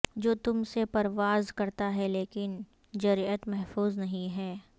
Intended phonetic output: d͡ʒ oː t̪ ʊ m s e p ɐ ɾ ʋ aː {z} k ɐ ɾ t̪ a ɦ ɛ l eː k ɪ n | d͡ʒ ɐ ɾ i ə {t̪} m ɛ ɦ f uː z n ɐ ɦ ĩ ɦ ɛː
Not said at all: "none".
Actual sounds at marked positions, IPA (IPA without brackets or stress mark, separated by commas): z, t̪